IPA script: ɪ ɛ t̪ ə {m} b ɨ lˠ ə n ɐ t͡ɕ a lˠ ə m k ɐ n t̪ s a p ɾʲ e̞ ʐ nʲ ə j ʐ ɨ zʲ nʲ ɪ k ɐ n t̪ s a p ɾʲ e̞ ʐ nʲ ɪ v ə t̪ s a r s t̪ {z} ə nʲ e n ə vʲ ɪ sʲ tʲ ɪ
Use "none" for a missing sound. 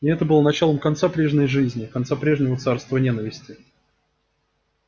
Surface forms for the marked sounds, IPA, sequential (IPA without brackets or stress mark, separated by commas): none, v